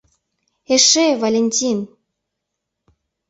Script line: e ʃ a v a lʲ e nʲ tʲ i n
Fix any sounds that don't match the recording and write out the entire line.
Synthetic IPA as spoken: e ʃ e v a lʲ e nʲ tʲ i n

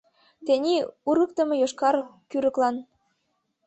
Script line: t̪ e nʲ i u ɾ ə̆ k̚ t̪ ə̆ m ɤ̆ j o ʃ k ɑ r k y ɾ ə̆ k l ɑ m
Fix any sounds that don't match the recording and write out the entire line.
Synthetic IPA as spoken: t̪ e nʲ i u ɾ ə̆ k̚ t̪ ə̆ m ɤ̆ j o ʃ k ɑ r k y ɾ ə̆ k l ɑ n

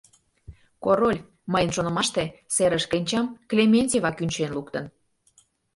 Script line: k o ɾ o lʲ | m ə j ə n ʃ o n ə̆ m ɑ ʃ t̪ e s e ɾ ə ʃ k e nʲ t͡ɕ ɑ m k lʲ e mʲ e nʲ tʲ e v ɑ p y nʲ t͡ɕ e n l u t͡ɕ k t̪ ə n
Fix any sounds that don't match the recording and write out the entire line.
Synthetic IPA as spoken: k o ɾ o lʲ | m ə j ə n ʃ o n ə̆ m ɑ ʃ t̪ e s e ɾ ə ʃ k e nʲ t͡ɕ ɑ m k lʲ e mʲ e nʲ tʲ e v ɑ k y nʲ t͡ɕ e n l u k t̪ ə n

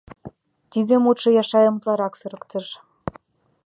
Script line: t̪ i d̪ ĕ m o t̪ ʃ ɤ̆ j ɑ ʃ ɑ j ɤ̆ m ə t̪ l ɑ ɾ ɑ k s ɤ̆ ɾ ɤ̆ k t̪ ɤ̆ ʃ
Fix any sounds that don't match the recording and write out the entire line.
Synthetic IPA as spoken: t̪ i d̪ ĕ m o t̪ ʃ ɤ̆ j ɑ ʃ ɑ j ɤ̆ m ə t̪ l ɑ ɾ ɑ k s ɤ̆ ɾ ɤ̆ k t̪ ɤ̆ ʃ

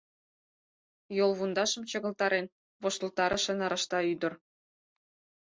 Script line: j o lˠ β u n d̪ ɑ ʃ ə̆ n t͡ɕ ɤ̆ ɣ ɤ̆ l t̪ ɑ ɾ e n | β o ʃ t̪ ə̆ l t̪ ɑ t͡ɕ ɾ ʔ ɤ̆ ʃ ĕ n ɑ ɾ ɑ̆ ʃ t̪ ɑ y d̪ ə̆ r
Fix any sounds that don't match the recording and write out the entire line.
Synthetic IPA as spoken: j o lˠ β u n d̪ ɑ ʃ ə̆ m t͡ɕ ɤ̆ ɣ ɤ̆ l t̪ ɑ ɾ e n | β o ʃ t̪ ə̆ l t̪ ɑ ɾ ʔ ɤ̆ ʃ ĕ n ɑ ɾ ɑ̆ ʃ t̪ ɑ y d̪ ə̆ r

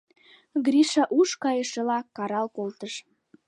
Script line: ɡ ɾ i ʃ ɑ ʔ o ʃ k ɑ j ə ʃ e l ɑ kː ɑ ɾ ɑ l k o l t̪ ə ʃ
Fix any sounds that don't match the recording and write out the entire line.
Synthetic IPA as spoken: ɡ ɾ i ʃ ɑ ʔ u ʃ k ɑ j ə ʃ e l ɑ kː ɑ ɾ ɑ l k o l t̪ ə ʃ

